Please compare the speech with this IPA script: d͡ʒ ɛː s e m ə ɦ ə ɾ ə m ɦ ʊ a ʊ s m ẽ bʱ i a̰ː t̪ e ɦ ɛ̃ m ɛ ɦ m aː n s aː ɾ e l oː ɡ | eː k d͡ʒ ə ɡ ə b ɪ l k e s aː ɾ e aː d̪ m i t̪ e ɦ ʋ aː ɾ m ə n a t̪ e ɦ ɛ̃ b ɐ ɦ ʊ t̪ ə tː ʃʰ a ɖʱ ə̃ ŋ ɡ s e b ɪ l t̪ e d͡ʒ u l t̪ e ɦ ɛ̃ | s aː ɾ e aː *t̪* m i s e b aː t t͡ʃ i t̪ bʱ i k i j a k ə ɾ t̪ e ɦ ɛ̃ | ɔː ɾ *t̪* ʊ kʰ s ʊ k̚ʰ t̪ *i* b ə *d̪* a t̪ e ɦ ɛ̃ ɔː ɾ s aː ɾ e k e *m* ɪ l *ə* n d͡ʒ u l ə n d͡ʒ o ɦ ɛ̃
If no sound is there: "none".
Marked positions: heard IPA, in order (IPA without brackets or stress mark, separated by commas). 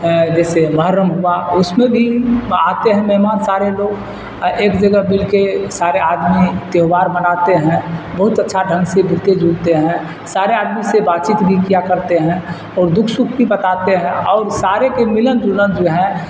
d̪, d̪, i, t̪, m, ə